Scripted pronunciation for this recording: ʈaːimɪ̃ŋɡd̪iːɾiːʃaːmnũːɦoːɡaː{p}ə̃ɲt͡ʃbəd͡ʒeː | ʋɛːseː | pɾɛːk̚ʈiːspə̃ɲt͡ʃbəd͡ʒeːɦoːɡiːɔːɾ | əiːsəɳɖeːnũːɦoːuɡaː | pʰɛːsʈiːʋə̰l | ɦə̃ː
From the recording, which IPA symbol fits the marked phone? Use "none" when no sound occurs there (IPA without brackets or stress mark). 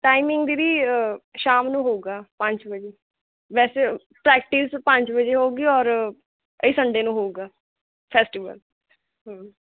p